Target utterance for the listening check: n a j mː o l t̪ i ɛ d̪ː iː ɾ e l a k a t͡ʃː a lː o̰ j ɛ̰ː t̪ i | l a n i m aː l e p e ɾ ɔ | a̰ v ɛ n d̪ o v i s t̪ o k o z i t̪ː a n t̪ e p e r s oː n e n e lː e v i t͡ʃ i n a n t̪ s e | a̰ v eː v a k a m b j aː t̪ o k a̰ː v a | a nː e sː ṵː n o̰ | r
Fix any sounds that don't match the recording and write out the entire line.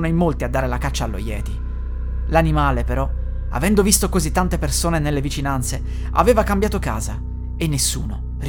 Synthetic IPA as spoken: n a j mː o l t̪ i a d̪ː aː ɾ e l a k a t͡ʃː a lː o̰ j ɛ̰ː t̪ i | l a n i m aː l e p e ɾ ɔ | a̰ v ɛ n d̪ o v i s t̪ o k o z i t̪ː a n t̪ e p e r s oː n e n e lː e v i t͡ʃ i n a n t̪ s e | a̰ v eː v a k a m b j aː t̪ o k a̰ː z a | e nː e sː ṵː n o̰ | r